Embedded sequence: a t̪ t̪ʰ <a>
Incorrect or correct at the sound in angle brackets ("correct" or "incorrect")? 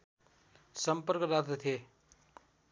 incorrect